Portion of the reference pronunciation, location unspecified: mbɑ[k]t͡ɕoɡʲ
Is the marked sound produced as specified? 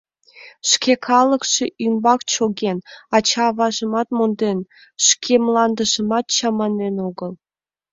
yes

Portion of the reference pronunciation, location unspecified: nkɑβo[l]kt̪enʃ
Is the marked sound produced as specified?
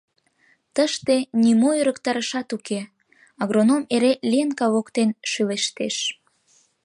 no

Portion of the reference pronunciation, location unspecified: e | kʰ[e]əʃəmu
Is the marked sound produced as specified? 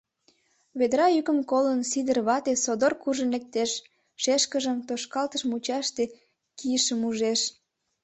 no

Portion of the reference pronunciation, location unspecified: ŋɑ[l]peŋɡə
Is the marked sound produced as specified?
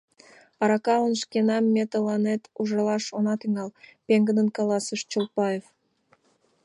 yes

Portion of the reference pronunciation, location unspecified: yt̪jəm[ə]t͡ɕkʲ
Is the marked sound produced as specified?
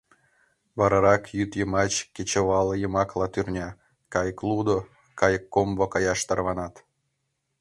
no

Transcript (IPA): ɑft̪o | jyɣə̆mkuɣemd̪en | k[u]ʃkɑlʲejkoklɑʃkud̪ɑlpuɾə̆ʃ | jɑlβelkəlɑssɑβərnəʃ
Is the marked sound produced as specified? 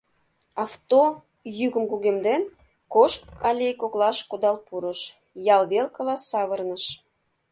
no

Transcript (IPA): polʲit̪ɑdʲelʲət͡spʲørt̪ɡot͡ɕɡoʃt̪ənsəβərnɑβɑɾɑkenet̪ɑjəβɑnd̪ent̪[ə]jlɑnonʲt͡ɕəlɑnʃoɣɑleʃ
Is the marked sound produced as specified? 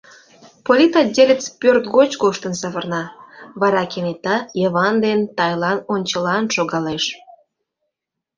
no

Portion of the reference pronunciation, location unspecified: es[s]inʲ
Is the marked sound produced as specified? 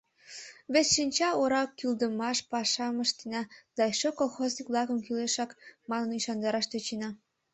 no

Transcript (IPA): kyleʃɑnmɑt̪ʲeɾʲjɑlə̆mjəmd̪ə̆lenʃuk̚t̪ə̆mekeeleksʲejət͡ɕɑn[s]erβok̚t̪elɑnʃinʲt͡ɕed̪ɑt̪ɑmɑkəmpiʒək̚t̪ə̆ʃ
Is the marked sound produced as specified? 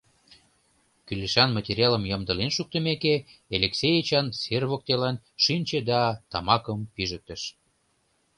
yes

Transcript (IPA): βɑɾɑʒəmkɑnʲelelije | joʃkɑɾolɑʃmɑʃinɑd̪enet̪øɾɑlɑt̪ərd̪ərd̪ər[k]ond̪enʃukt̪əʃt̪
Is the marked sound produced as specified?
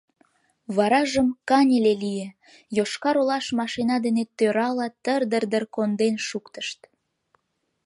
yes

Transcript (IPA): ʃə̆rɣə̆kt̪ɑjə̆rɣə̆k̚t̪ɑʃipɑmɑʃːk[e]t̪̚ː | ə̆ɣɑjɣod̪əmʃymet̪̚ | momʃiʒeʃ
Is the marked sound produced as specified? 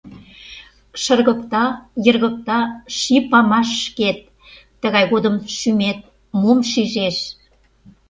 yes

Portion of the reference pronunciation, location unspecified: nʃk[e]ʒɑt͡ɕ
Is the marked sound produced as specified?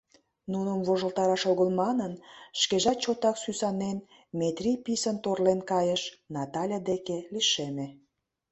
yes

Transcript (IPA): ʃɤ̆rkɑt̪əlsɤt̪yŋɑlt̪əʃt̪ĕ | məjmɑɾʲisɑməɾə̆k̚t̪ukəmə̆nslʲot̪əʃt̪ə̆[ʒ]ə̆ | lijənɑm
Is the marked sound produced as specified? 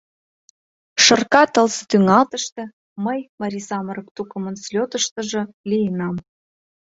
yes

